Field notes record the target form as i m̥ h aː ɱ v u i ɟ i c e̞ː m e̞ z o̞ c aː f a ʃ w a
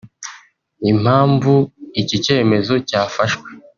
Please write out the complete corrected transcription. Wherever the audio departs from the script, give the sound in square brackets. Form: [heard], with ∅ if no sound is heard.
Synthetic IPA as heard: i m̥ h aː ɱ v u i [c] i c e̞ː m e̞ z o̞ c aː f a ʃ w [e]